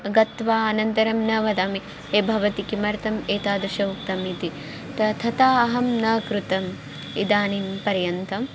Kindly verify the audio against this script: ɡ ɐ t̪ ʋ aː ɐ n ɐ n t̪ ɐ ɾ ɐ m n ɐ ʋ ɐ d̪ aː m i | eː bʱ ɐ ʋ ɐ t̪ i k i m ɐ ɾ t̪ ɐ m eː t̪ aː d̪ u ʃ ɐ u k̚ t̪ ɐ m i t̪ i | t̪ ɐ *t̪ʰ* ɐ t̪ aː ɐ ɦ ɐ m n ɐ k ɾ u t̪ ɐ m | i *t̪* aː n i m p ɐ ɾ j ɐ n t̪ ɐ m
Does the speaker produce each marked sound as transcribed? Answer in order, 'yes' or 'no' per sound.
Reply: yes, no

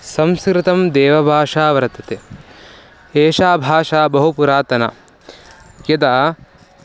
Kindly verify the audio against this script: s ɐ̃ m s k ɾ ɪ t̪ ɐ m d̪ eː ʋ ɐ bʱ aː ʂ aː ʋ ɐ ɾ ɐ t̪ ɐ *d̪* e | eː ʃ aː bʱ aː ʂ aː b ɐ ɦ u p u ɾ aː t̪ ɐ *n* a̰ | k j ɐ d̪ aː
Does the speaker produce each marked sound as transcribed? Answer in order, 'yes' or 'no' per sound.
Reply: no, yes

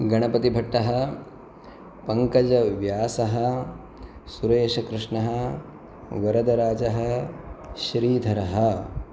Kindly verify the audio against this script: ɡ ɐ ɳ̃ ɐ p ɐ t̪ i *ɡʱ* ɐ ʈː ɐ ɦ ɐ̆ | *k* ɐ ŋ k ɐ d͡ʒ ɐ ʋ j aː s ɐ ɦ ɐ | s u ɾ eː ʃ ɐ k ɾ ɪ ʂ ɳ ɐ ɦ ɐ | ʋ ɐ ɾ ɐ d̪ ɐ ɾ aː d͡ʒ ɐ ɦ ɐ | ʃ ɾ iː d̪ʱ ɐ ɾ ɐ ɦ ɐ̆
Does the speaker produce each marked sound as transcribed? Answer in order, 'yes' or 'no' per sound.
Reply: no, no

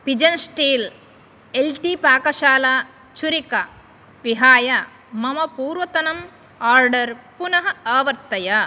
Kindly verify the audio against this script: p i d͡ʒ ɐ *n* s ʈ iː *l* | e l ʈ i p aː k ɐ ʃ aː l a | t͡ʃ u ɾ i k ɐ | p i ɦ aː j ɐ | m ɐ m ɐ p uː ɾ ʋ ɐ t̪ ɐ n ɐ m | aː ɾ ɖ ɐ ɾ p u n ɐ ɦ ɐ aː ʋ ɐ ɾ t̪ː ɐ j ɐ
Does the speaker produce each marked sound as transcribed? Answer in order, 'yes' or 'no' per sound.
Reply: yes, yes

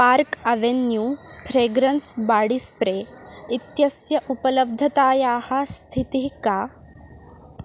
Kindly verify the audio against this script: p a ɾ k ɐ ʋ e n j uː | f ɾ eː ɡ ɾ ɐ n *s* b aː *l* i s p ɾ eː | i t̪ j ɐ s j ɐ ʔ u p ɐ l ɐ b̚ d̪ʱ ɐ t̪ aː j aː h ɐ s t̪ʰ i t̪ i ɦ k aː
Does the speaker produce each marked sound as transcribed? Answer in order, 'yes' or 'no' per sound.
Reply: yes, no

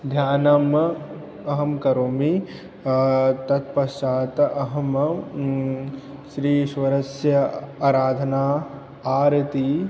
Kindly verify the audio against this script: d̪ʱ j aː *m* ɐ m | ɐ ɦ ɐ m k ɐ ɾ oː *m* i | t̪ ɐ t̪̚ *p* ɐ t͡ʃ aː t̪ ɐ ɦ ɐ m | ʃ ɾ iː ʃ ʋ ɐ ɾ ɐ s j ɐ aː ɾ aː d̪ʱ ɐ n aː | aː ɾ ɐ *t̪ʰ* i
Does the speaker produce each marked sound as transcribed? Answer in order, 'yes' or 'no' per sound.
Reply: no, yes, yes, no

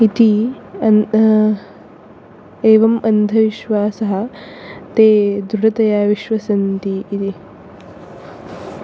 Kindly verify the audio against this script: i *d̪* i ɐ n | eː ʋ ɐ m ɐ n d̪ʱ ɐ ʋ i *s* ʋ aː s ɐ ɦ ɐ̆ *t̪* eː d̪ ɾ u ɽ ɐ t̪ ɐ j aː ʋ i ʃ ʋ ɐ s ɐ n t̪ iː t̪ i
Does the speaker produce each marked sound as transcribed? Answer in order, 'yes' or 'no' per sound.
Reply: no, no, yes

